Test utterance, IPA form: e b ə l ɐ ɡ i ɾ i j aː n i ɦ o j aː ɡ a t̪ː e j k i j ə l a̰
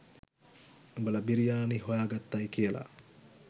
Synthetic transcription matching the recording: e b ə l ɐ b i ɾ i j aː n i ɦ o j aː ɡ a t̪ː a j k i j ə l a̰